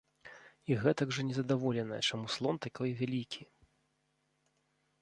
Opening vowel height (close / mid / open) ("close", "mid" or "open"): close